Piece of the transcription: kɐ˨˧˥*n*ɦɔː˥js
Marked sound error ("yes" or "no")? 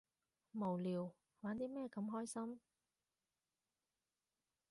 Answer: yes